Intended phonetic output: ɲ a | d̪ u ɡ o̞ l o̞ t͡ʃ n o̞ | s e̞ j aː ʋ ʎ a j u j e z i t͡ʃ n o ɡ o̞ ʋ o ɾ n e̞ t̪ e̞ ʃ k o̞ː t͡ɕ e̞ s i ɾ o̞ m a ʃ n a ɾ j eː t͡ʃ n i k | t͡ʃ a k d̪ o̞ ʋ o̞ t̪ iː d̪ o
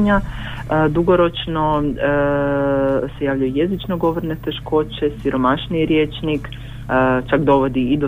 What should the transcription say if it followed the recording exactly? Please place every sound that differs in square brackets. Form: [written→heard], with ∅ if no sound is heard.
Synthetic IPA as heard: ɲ a | d̪ u ɡ o̞ [l→ɾ] o̞ t͡ʃ n o̞ | s e̞ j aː ʋ ʎ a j u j e z i t͡ʃ n o ɡ o̞ ʋ o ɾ n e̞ t̪ e̞ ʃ k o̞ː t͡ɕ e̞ s i ɾ o̞ m a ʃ n [a→i] ɾ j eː t͡ʃ n i k | t͡ʃ a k d̪ o̞ ʋ o̞ [t̪→d̪] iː d̪ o